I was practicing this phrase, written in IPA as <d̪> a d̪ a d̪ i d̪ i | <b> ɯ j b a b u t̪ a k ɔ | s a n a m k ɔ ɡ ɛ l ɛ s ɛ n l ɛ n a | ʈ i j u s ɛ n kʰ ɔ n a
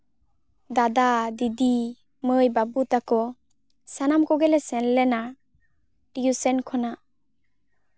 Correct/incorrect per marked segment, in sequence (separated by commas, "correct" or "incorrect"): correct, incorrect